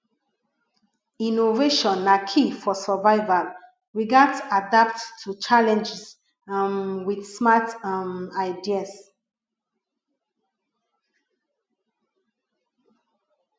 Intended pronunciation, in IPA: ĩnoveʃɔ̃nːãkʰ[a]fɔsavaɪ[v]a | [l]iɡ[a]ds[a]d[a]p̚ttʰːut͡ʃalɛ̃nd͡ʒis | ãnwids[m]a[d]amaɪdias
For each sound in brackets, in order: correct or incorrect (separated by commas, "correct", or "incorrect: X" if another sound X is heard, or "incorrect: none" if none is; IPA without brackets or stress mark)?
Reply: incorrect: i, correct, incorrect: ɹ, correct, correct, correct, correct, incorrect: t